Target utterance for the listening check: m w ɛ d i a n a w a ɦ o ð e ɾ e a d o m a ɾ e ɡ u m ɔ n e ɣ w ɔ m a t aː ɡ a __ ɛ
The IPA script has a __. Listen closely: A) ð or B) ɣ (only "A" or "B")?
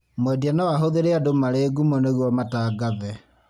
A